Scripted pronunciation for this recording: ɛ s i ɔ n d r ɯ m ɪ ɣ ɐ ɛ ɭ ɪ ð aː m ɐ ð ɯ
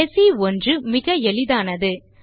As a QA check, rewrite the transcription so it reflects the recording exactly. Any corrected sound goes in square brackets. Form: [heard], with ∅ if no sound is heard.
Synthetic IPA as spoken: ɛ s i ɔ n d r ɯ m ɪ ɣ ɐ ɛ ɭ ɪ ð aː [n] ɐ ð ɯ